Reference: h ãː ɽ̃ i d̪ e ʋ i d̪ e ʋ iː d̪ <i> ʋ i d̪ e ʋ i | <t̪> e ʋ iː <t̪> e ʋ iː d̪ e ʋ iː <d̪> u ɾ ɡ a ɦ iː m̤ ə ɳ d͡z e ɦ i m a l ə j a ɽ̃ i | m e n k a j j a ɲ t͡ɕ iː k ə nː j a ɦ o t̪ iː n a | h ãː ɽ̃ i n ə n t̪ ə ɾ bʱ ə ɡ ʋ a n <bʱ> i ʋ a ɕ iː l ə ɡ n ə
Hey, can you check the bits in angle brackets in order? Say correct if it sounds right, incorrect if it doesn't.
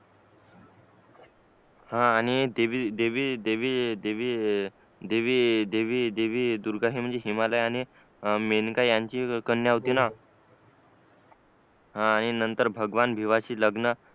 incorrect: e, incorrect: d̪, incorrect: d̪, correct, correct

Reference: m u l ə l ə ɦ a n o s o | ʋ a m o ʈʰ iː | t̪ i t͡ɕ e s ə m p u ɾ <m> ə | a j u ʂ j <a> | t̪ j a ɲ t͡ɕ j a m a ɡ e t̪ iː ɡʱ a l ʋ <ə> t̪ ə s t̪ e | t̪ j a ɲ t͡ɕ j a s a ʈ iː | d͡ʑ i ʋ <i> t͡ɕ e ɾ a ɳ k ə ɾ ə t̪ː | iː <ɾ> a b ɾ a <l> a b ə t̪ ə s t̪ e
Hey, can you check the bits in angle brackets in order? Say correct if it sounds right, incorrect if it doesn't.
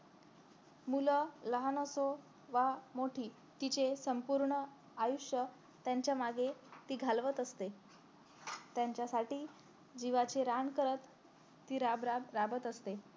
incorrect: ɳ, incorrect: ə, correct, incorrect: a, correct, incorrect: ɾ

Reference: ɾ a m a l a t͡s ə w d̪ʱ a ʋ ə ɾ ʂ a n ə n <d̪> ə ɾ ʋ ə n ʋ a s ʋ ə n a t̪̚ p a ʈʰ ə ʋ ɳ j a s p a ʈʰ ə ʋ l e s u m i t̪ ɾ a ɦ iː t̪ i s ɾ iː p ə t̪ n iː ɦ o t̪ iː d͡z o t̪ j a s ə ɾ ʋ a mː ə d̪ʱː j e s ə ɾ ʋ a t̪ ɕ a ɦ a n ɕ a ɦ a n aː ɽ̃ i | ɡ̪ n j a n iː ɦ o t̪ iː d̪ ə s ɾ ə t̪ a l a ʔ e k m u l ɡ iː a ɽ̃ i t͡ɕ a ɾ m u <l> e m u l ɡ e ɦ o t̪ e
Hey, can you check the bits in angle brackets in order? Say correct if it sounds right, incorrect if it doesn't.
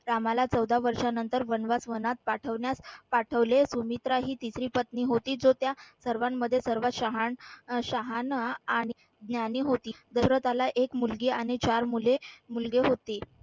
incorrect: t̪, correct

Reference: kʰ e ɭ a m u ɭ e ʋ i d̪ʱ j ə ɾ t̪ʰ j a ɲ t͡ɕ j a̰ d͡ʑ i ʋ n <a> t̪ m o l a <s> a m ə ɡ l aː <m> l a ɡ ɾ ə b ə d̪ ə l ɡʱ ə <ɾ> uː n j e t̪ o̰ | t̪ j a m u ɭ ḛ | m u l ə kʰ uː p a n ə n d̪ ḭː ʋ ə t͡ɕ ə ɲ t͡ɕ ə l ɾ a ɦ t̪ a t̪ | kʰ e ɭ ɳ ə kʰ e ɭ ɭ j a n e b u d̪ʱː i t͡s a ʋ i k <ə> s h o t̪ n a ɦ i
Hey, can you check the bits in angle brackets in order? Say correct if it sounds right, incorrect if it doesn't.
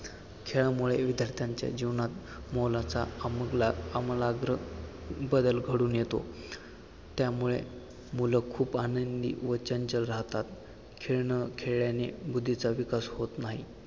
correct, incorrect: t͡s, correct, incorrect: ɽ, incorrect: a

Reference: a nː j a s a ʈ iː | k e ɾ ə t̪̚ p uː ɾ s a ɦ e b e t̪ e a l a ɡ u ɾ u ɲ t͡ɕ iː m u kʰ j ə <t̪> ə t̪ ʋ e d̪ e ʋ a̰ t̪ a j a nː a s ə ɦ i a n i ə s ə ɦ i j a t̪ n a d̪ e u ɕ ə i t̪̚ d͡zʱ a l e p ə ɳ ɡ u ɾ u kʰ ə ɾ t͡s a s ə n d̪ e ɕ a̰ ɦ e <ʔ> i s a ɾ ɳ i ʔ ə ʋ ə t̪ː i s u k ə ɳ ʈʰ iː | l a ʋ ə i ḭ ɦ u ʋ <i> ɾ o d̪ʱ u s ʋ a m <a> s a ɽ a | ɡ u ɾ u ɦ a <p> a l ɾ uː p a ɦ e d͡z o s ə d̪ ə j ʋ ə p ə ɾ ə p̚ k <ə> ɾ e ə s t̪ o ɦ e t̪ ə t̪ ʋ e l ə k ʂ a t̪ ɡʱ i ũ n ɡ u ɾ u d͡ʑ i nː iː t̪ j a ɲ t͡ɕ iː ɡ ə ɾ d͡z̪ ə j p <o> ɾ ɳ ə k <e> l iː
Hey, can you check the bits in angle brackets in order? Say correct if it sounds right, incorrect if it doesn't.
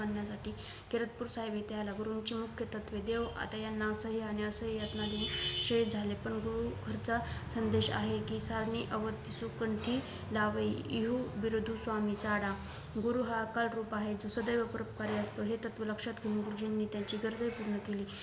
correct, incorrect: k, correct, incorrect: i, incorrect: k, incorrect: a, incorrect: u, correct

